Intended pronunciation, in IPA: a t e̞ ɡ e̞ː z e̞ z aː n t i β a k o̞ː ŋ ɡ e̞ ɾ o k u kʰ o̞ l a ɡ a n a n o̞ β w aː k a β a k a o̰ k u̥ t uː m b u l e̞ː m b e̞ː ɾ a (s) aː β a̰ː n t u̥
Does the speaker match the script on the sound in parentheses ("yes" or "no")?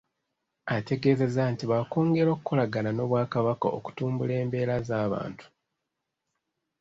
no